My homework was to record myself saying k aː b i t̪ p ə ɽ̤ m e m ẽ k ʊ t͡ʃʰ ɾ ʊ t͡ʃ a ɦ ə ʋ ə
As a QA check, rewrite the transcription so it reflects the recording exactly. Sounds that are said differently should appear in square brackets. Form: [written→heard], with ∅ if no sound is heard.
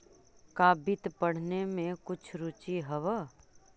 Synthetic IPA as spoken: k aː b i t̪ p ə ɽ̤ [m→n] e m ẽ k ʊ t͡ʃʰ ɾ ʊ t͡ʃ [a→i] ɦ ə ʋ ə

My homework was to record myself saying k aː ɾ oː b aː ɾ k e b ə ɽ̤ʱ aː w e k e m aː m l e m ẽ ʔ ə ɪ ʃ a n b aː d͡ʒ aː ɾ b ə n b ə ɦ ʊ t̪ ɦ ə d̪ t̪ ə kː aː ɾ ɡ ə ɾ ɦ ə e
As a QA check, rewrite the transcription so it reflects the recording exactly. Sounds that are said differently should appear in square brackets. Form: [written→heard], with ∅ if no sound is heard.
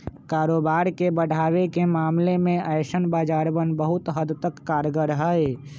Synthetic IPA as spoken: k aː ɾ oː b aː ɾ k e b ə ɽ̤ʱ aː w e k e m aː m l e m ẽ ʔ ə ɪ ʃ [a→ə] n b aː d͡ʒ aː ɾ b ə n b ə ɦ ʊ t̪ ɦ ə d̪ t̪ ə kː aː ɾ ɡ ə ɾ ɦ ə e

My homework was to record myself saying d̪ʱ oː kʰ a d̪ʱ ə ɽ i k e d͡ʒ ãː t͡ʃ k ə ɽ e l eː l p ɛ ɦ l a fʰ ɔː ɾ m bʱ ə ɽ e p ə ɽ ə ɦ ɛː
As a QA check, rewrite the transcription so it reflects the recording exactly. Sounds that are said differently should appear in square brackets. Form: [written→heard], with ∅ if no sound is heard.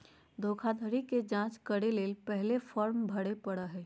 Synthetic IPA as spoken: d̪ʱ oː kʰ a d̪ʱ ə [ɽ→ɾ] i k e d͡ʒ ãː t͡ʃ k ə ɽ e l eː l p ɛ ɦ l [a→e] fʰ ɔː ɾ m bʱ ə ɽ e p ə ɽ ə ɦ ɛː

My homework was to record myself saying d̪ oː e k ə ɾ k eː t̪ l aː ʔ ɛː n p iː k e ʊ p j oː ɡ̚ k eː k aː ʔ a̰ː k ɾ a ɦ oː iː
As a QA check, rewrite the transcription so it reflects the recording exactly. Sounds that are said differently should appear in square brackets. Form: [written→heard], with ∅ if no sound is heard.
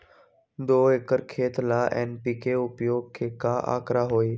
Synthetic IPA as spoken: d̪ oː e k ə ɾ [k→kʰ] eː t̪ l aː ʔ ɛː n p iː k e ʊ p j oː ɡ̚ [k→kʰ] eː k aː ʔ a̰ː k ɾ a ɦ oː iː

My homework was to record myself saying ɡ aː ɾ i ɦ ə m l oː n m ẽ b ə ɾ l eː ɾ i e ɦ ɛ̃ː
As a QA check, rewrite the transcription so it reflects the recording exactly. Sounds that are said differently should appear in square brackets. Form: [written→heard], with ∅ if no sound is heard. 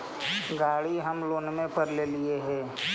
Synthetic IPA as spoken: ɡ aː [ɾ→ɽ] i ɦ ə m l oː n m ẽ [b→p] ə ɾ l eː [ɾ→l] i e ɦ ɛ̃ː

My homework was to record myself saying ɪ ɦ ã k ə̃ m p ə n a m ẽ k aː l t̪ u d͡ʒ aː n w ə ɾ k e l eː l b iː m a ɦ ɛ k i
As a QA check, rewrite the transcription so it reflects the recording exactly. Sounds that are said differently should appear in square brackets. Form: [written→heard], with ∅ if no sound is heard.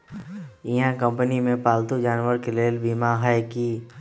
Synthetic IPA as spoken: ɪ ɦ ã k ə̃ m p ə n [a→i] m ẽ [k→p] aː l t̪ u d͡ʒ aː n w ə ɾ k e l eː l b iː m a ɦ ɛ k i

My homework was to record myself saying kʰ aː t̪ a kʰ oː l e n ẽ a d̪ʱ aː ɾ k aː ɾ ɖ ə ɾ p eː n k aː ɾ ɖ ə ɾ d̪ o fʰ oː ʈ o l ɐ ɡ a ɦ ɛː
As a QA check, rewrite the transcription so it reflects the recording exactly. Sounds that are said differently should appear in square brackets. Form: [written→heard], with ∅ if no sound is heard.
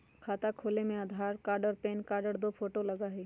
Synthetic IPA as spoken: kʰ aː t̪ a kʰ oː l e [n→m] ẽ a d̪ʱ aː ɾ k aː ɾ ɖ ə ɾ p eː n k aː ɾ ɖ ə ɾ d̪ o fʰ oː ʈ o l ɐ ɡ a ɦ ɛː

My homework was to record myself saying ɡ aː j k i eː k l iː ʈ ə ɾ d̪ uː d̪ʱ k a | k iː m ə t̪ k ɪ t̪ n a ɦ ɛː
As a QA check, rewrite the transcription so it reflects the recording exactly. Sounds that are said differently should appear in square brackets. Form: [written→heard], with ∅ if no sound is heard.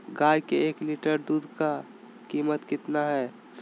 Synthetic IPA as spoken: ɡ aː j k [i→e] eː k l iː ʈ ə ɾ d̪ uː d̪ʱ k a | k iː m ə t̪ k ɪ t̪ n a ɦ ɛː

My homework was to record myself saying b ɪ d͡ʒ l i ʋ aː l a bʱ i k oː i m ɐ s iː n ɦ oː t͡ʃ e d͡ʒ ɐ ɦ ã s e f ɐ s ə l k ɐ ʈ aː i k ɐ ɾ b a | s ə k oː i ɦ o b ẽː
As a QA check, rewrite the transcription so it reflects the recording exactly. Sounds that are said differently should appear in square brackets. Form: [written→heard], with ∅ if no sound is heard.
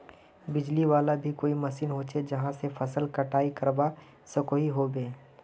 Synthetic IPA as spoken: b ɪ d͡ʒ l i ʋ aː l a bʱ i k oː i m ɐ s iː n ɦ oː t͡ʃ e d͡ʒ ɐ ɦ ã s e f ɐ s ə l k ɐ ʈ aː i k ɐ ɾ b a | s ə k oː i ɦ o b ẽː

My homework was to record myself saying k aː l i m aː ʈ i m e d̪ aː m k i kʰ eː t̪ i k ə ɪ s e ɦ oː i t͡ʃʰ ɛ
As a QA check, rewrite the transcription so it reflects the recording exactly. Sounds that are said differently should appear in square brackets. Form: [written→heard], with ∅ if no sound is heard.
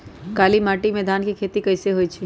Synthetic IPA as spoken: k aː l i m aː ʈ i m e d̪ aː [m→n] k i kʰ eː t̪ i k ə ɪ s e ɦ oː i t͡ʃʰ [ɛ→i]

